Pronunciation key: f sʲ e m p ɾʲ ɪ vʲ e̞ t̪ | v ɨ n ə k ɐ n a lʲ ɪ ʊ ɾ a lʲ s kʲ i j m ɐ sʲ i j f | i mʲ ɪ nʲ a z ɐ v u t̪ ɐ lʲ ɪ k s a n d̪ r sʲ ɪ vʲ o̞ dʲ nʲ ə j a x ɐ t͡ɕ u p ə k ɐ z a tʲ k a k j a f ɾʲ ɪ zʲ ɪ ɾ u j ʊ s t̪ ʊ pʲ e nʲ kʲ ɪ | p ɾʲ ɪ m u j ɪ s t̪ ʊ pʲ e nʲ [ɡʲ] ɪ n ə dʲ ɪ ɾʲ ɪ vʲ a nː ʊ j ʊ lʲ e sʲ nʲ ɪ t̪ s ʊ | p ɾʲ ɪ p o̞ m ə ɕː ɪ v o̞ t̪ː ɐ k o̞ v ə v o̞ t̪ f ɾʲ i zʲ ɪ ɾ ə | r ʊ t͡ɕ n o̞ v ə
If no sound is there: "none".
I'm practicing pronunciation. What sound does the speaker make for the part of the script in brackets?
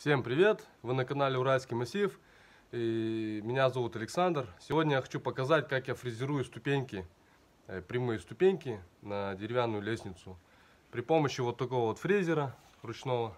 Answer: kʲ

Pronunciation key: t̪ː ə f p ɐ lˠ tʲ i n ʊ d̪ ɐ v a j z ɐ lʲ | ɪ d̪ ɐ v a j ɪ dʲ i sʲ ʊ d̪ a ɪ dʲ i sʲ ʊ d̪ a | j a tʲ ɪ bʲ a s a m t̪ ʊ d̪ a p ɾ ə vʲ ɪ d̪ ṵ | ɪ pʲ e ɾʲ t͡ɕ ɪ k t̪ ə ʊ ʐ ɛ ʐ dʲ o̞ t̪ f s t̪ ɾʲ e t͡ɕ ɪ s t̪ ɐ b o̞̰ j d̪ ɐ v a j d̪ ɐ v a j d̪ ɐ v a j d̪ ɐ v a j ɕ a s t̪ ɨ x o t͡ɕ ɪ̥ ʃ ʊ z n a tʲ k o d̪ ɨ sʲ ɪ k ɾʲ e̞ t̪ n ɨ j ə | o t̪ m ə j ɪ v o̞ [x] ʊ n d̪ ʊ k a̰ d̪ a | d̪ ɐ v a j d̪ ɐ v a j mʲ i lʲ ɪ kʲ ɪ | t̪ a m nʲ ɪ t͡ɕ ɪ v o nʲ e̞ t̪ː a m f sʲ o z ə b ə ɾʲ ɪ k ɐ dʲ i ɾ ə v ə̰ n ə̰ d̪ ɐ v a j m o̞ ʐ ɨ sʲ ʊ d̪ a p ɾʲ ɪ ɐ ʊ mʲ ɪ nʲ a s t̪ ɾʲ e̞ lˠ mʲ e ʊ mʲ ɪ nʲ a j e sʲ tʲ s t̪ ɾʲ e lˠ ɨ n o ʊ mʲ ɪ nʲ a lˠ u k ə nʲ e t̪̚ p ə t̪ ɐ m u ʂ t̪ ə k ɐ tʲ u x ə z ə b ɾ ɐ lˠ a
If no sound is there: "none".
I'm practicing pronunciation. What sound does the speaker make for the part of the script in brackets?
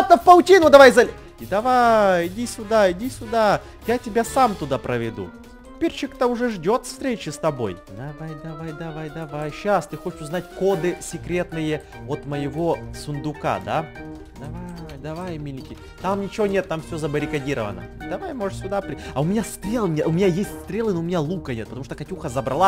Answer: s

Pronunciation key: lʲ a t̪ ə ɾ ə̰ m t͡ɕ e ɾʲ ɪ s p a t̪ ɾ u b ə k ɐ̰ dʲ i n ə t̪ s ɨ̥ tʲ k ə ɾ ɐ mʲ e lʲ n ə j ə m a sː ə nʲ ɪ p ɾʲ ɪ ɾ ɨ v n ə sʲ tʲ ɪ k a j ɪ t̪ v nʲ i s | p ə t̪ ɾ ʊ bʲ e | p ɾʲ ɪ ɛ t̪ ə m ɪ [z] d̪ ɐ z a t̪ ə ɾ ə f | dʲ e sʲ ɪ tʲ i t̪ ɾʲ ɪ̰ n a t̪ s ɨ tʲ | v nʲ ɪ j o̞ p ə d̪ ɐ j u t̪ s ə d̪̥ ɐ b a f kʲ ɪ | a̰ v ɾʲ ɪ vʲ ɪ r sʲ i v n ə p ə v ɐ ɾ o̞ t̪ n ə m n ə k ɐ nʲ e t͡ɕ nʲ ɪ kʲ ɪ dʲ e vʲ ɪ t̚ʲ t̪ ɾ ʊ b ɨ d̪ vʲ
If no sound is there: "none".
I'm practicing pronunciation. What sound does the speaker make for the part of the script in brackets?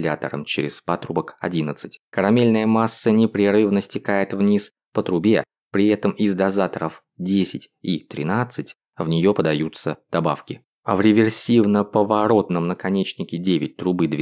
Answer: z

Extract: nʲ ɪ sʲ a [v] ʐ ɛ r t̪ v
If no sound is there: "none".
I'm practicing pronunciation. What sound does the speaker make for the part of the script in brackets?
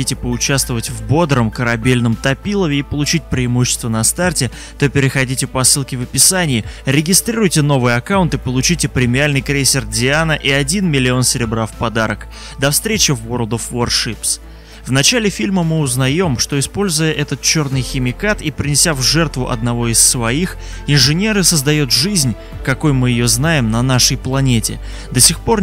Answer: v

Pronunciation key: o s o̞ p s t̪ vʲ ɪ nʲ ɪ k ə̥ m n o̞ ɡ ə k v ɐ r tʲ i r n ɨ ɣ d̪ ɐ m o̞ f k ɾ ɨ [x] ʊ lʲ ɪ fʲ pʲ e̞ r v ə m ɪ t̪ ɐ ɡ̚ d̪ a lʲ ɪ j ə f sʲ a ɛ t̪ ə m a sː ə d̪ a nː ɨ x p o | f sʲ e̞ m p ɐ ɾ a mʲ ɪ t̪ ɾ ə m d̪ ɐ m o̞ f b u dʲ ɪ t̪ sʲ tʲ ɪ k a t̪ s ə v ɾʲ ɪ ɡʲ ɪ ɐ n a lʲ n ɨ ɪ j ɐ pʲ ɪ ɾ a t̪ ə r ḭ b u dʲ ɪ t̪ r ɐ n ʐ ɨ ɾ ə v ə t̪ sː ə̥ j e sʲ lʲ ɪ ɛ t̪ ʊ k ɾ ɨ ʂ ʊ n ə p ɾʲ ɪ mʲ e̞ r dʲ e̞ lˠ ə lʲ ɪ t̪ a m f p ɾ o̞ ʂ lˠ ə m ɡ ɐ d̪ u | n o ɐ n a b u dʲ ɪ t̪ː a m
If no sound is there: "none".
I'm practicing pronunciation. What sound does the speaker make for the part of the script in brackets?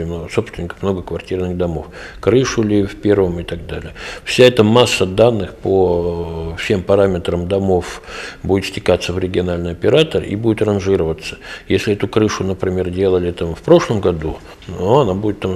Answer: ʂ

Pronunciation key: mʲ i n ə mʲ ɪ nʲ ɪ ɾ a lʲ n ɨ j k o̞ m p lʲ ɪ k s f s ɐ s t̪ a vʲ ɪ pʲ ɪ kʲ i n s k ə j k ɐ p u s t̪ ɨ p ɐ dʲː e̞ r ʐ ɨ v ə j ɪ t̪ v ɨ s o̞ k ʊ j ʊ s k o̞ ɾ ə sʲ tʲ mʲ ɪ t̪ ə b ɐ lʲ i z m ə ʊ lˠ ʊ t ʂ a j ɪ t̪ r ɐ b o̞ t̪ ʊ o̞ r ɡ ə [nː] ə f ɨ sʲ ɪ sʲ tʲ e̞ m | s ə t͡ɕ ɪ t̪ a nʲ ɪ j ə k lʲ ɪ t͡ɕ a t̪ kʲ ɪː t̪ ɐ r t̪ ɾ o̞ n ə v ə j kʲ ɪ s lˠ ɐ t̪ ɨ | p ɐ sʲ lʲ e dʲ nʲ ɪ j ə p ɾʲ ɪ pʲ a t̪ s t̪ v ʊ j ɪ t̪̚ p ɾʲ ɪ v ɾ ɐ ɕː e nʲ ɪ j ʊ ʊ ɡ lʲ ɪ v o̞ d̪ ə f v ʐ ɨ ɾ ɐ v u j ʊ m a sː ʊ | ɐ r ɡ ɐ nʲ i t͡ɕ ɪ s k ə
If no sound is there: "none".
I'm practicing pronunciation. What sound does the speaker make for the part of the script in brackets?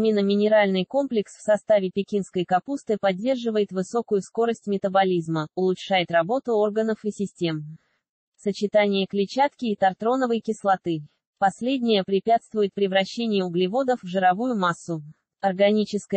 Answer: n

